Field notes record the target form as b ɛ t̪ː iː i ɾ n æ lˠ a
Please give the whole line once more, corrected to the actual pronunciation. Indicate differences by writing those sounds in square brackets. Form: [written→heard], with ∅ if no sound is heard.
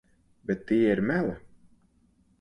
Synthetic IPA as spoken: b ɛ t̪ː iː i ɾ [n→m] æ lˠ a